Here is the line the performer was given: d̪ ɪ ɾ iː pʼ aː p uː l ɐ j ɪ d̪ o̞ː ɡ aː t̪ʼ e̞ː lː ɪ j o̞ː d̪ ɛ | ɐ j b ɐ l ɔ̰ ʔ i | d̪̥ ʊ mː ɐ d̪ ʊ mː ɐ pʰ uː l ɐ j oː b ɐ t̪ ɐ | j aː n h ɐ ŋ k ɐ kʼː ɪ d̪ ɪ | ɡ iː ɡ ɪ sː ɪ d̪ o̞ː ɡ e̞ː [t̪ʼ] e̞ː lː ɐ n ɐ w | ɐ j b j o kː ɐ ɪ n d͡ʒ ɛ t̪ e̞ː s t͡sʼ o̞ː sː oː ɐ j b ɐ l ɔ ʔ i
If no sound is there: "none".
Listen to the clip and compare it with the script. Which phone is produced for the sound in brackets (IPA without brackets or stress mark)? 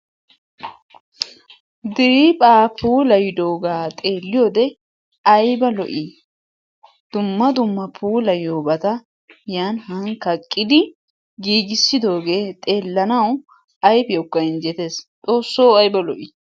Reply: t̪ʼ